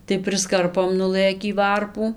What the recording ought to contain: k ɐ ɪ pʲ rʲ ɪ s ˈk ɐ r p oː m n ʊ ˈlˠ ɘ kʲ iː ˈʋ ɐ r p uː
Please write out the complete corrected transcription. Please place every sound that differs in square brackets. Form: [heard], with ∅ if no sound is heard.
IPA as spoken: [t] ɐ ɪ pʲ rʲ ɪ s ˈk ɐ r p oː m n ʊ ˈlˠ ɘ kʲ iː ˈʋ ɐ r p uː